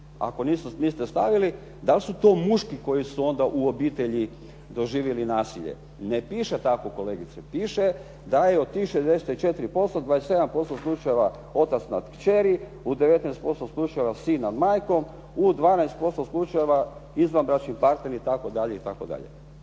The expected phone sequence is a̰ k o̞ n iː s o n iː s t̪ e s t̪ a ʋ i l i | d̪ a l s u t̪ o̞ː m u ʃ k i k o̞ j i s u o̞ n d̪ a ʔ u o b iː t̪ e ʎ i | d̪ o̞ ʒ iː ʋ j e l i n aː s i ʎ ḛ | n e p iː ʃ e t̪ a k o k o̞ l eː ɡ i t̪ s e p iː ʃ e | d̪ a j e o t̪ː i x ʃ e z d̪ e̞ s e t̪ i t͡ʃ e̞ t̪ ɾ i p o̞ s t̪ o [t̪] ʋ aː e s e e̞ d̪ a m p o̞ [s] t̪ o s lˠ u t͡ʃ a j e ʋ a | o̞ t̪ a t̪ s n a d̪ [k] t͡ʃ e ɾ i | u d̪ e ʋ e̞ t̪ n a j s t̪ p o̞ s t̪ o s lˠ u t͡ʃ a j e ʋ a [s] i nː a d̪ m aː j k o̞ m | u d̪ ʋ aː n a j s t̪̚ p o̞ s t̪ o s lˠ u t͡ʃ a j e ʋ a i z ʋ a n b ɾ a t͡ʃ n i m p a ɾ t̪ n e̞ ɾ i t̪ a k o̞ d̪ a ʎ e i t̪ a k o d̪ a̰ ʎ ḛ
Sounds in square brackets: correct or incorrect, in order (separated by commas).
incorrect, correct, correct, correct